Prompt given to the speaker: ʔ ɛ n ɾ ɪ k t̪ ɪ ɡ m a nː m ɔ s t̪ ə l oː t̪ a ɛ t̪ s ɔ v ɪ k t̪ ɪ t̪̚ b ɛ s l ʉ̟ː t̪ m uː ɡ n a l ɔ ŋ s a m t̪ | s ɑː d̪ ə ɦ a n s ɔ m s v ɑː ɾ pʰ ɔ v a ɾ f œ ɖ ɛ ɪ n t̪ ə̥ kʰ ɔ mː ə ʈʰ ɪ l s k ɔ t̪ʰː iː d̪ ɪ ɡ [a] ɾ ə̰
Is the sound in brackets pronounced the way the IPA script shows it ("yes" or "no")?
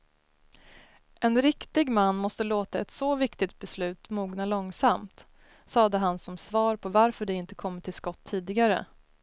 yes